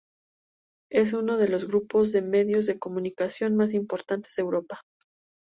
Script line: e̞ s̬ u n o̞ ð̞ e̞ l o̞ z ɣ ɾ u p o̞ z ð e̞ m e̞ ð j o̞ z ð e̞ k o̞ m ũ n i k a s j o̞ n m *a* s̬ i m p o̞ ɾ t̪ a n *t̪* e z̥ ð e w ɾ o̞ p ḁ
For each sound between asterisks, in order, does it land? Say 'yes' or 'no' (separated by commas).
yes, yes